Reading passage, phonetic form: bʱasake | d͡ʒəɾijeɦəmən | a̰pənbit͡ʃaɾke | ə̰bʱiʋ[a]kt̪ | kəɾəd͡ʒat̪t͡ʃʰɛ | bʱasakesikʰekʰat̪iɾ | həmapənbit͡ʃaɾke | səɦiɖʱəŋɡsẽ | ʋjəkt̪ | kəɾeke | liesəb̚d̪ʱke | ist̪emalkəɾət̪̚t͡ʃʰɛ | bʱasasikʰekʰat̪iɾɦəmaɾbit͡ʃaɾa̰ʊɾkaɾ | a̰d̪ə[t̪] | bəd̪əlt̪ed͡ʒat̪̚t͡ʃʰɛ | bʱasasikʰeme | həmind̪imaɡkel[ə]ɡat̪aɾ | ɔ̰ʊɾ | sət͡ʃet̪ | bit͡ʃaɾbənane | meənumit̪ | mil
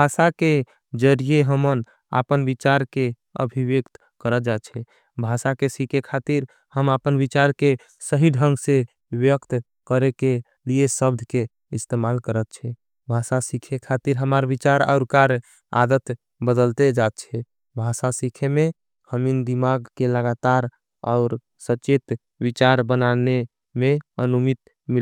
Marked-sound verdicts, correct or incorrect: incorrect: e, correct, correct

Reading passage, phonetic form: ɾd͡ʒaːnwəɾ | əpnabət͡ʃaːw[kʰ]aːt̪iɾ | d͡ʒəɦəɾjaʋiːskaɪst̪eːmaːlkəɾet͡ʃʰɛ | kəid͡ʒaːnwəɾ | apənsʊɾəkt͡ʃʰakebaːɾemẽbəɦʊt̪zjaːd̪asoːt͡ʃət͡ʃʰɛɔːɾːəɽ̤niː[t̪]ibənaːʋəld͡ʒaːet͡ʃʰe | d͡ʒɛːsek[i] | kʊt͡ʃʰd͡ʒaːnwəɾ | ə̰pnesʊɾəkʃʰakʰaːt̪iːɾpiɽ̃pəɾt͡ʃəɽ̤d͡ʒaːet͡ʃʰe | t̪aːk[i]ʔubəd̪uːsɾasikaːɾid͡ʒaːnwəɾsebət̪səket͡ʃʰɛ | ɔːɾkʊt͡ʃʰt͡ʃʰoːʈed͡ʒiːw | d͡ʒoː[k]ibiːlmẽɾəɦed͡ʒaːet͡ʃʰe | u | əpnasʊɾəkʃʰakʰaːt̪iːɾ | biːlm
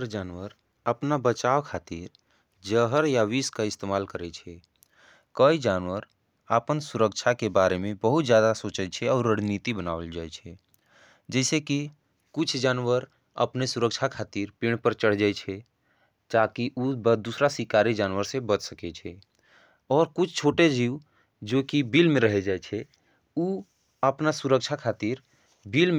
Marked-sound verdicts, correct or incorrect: correct, correct, correct, correct, correct

